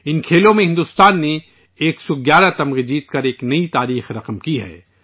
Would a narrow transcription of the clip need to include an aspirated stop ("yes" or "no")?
yes